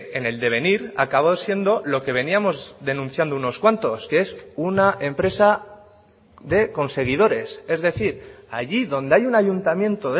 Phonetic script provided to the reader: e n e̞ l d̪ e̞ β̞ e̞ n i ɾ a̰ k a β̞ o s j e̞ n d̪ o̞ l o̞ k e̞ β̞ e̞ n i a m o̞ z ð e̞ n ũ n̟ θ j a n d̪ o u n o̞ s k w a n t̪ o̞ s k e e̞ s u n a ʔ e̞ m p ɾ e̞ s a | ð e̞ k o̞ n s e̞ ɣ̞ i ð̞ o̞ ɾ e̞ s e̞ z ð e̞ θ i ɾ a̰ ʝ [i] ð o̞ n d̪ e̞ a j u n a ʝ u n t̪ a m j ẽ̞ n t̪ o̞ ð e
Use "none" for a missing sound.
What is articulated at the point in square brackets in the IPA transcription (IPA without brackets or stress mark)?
i